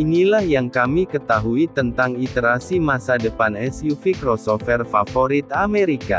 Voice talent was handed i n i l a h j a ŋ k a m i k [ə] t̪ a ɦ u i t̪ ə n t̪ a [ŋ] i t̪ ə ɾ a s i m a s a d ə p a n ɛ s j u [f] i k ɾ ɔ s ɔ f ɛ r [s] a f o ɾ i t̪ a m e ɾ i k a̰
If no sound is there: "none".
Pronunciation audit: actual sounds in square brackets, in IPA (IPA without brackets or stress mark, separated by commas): ə, ŋ, f, f